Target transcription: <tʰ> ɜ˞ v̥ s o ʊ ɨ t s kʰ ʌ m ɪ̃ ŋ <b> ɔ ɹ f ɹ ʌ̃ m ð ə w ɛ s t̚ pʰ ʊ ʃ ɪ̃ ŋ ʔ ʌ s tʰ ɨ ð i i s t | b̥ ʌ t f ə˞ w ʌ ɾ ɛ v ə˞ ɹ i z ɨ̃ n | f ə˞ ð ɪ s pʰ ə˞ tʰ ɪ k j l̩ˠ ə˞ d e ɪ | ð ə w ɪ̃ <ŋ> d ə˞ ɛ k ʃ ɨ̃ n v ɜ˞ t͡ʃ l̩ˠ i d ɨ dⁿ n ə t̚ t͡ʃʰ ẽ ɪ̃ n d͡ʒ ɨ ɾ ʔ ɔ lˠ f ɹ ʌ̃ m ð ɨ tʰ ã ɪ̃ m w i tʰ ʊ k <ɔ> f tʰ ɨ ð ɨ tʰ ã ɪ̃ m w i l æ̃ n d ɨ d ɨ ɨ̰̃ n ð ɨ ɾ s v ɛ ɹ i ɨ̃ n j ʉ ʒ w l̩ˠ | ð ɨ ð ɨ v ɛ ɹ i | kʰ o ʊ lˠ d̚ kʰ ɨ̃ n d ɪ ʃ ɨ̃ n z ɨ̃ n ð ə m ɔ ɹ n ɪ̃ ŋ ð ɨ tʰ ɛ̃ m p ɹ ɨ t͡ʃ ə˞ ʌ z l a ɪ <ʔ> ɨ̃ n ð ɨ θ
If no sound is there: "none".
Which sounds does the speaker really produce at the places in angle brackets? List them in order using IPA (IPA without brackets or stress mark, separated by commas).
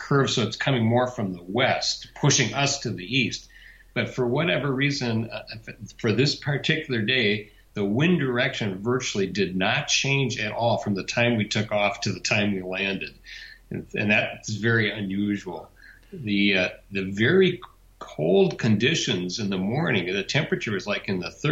kʰ, m, n, ɔ, k